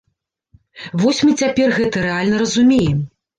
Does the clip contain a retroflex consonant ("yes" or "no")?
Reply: no